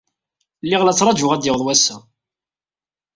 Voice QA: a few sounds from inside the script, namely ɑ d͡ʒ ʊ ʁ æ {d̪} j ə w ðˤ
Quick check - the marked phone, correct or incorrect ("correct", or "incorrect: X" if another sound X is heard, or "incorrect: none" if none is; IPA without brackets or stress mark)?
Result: correct